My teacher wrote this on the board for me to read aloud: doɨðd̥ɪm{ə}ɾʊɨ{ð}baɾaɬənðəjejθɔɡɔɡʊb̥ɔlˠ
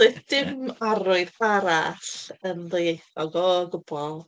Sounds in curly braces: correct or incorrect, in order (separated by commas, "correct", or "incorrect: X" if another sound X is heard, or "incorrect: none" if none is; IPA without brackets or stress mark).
incorrect: a, correct